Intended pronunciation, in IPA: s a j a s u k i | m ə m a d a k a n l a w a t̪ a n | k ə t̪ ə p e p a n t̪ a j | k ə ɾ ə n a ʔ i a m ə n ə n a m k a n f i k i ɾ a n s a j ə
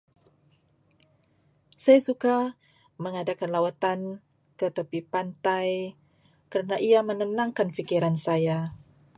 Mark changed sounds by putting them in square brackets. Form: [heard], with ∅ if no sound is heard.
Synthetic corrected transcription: s a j a s u k [a] | m ə [ŋ] a d a k a n l a w a t̪ a n | k ə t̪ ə p [i] p a n t̪ a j | k ə ɾ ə n a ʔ i a m ə n ə n a [ŋ] k a n f i k i ɾ a n s a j [a]